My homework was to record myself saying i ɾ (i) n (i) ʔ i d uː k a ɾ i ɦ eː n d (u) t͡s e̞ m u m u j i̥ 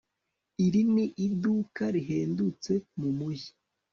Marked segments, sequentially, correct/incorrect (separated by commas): correct, correct, correct